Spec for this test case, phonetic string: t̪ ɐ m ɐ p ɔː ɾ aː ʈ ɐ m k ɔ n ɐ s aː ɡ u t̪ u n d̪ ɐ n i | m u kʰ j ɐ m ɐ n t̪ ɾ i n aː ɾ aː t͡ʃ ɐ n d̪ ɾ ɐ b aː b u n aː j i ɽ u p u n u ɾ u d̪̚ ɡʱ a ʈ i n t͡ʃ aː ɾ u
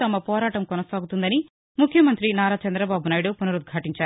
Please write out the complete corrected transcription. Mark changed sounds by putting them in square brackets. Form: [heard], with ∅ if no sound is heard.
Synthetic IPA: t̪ ɐ m ɐ p ɔː ɾ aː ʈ ɐ m k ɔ n ɐ s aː ɡ u t̪ u n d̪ ɐ n i | m u kʰ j ɐ m ɐ n t̪ ɾ i n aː ɾ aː t͡ʃ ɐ n d̪ ɾ ɐ b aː b u n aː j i ɽ u p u n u ɾ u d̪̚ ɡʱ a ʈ i [ɲ] t͡ʃ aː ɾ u